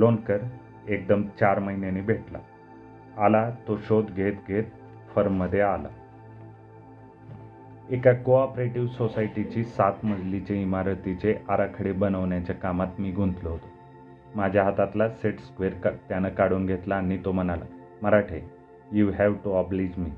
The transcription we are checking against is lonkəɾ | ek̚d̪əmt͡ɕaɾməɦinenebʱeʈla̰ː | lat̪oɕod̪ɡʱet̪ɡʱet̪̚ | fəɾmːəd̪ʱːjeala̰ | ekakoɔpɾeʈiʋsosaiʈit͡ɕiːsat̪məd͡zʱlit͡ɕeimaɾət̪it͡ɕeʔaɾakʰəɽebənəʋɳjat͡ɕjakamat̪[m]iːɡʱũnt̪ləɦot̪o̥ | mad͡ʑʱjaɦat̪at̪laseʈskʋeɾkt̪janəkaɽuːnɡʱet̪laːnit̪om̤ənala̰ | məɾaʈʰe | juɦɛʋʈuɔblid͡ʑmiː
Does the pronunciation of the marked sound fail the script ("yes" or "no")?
no